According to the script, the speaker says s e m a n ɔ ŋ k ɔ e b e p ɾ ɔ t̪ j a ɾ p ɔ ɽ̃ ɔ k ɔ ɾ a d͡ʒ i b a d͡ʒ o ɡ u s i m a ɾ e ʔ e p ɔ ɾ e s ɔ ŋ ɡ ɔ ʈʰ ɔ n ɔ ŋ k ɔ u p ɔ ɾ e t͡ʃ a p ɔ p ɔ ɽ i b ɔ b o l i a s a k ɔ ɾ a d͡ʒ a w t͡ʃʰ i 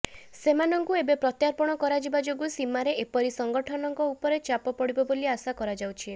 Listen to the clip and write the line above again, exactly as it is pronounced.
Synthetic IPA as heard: s e m a n ɔ ŋ k u e b e p ɾ ɔ t̪ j a ɾ p ɔ ɽ̃ ɔ k ɔ ɾ a d͡ʒ i b a d͡ʒ o ɡ u s i m a ɾ e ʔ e p ɔ ɾ i s ɔ ŋ ɡ ɔ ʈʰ ɔ n ɔ ŋ k ɔ u p ɔ ɾ e t͡ʃ a p ɔ p ɔ ɽ i b ɔ b o l i a s a k ɔ ɾ a d͡ʒ a w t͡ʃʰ i